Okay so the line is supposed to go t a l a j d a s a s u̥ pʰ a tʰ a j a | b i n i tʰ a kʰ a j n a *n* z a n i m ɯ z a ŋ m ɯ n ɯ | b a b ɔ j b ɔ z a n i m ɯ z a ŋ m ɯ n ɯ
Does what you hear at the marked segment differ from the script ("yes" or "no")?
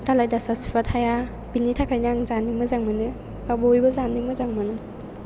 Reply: yes